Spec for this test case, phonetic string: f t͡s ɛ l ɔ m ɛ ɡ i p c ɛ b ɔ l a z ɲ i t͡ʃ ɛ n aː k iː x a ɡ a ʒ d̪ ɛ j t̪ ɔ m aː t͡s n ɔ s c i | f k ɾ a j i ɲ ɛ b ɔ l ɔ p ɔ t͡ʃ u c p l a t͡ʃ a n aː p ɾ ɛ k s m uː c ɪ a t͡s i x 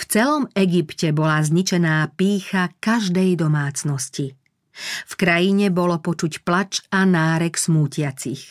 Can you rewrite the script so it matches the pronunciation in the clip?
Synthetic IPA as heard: f t͡s ɛ l ɔ m ɛ ɡ i p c ɛ b ɔ l a z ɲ i t͡ʃ ɛ n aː p iː x a k a ʒ d̪ ɛ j d̪ ɔ m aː t͡s n ɔ s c i | f k ɾ a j i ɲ ɛ b ɔ l ɔ p ɔ t͡ʃ u c p l a t͡ʃ a n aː ɾ ɛ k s m uː c ɪ a t͡s i x